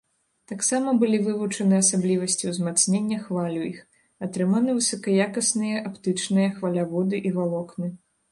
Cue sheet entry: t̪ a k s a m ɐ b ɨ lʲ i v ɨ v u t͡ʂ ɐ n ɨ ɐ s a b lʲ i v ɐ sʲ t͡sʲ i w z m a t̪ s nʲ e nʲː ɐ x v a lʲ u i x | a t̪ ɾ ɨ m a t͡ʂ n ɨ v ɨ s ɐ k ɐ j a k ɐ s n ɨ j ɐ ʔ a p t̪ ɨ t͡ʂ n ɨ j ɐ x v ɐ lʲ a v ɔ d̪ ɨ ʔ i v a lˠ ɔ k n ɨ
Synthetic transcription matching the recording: t̪ a k s a m ɐ b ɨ lʲ i v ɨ v u t͡ʂ ɐ n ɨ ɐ s a b lʲ i v ɐ sʲ t͡sʲ i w z m a t̪ s nʲ e nʲː ɐ x v a lʲ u i x | a t̪ ɾ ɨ m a n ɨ v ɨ s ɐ k ɐ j a k ɐ s n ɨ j ɐ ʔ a p t̪ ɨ t͡ʂ n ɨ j ɐ x v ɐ lʲ a v ɔ d̪ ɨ ʔ i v a lˠ ɔ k n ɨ